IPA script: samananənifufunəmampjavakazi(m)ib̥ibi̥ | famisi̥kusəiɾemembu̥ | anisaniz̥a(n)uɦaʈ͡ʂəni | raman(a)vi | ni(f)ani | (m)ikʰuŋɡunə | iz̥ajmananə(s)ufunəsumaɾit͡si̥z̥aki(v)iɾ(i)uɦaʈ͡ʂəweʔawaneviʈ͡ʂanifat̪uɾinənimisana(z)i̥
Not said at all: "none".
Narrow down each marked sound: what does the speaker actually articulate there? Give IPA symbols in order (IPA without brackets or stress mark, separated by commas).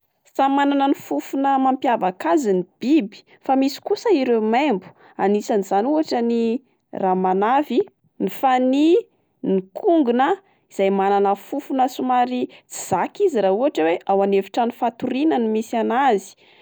n, n, a, f, n, f, z, a, z